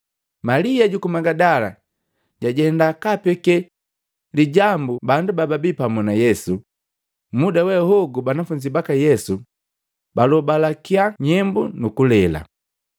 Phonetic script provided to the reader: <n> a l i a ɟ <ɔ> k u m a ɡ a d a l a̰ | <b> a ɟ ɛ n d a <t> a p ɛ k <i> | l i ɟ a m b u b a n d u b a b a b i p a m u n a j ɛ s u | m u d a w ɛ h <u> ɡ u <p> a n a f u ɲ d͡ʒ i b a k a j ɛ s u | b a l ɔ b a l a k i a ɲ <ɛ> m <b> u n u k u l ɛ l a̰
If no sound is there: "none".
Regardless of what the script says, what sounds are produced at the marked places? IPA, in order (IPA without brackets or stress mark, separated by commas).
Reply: m, u, ɟ, k, ɛ, ɔ, b, ɛ, b